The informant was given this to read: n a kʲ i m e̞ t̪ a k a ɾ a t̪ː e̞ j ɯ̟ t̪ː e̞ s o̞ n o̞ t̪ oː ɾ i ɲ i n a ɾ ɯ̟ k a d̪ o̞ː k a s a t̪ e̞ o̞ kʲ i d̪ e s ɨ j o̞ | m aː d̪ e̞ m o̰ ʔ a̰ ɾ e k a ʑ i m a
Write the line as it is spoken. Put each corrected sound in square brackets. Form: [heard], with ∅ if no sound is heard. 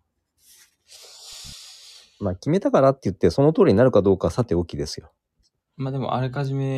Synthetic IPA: [m] a kʲ i m e̞ t̪ a k a ɾ a t̪ː e̞ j ɯ̟ t̪ː e̞ s o̞ n o̞ t̪ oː ɾ i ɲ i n a ɾ ɯ̟ k a d̪ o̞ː k a s a t̪ e̞ o̞ kʲ i d̪ e s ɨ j o̞ | m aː d̪ e̞ m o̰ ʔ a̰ ɾ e k a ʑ i m [e]